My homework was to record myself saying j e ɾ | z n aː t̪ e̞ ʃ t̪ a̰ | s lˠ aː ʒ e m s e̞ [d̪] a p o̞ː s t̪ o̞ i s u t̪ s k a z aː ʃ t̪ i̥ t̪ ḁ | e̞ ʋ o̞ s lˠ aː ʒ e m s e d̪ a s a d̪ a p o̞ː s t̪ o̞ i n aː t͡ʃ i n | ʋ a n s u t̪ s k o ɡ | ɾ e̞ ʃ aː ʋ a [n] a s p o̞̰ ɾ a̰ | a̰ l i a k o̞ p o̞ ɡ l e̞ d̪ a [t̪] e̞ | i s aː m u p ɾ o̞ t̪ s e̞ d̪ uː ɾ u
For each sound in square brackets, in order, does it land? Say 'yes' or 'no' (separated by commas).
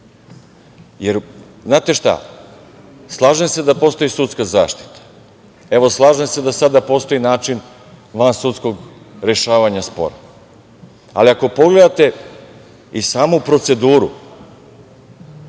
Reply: yes, no, yes